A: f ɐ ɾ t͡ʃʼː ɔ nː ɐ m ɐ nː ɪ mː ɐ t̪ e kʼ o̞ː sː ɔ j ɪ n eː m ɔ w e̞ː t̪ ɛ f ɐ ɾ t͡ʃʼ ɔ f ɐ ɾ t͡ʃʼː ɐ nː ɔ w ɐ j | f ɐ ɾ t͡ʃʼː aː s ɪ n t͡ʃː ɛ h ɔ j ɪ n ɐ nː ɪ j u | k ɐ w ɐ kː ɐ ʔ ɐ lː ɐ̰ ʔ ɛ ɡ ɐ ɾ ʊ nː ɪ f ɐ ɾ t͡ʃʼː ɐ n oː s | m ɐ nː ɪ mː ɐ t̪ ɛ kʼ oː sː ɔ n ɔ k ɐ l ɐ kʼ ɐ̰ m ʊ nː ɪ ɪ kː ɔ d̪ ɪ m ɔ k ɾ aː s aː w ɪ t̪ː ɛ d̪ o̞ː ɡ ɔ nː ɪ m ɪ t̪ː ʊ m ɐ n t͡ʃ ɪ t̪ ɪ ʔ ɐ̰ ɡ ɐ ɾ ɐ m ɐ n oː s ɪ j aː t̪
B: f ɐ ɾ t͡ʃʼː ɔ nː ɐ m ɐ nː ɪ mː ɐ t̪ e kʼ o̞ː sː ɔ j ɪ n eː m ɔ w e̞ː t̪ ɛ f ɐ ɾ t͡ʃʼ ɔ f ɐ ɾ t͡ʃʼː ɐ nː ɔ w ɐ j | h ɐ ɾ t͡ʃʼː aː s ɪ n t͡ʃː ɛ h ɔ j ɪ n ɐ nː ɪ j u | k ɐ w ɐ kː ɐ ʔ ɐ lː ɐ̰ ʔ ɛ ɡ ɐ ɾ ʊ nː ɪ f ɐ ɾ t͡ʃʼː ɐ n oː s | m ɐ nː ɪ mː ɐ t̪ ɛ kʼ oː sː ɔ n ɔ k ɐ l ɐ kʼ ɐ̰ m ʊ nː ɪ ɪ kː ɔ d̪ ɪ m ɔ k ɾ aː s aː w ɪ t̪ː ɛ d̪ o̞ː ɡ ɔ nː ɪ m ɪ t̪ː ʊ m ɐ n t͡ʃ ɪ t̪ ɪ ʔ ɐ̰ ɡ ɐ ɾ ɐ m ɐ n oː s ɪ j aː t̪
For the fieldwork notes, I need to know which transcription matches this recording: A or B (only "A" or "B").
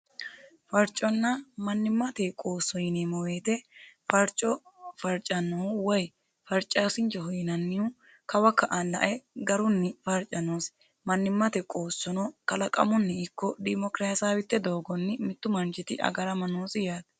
A